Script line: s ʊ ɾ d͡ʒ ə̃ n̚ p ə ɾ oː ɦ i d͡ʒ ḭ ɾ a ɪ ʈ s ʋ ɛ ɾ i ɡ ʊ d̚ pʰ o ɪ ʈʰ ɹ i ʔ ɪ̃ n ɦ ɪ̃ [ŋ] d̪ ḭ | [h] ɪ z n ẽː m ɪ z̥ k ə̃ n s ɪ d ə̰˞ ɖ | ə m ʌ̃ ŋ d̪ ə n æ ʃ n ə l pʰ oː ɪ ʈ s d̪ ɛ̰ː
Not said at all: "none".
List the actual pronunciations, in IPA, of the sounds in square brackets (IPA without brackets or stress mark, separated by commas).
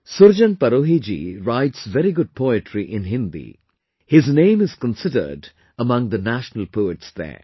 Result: n, h